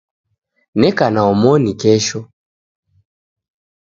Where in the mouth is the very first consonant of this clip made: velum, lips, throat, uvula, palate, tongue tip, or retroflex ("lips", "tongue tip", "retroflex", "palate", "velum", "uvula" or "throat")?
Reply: tongue tip